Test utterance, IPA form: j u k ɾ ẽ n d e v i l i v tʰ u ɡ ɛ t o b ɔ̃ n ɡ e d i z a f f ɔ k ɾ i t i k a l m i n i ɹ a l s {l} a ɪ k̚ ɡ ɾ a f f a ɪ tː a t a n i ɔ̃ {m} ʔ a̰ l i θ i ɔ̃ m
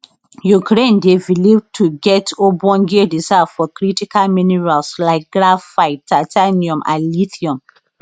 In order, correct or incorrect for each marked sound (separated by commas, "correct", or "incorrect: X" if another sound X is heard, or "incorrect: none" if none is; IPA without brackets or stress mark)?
correct, correct